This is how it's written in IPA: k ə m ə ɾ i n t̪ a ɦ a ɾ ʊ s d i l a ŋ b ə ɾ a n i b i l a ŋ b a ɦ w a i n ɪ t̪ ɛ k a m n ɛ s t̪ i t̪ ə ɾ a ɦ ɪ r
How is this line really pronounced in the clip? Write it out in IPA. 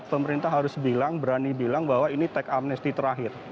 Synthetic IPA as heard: p ə m ə ɾ i n t̪ a ɦ a ɾ ʊ s b i l a ŋ b ə ɾ a n i b i l a ŋ b a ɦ w a i n i t̪ ɛ k a m n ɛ s t̪ i t̪ ə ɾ a ɦ ɪ r